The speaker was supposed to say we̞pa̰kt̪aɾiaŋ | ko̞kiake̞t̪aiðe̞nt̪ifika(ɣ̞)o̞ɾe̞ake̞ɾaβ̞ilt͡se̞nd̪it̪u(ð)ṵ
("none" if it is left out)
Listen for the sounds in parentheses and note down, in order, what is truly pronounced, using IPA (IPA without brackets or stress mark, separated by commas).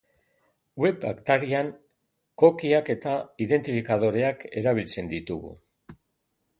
ð̞, ɣ